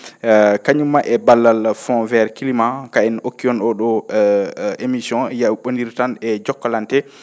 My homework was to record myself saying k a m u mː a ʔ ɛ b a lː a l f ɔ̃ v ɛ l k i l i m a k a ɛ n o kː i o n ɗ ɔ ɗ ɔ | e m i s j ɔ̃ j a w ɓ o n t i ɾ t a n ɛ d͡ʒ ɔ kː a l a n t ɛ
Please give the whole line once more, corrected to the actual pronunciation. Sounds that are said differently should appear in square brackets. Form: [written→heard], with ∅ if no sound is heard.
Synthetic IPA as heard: k a [m→ɲ] u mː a ʔ ɛ b a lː a l f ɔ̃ v ɛ [l→ɾ] k i l i m a k a ɛ n o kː i [o→ɔ] n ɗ ɔ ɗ ɔ | e m i s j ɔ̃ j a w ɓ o n [t→d] i ɾ t a n ɛ d͡ʒ ɔ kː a l a n t ɛ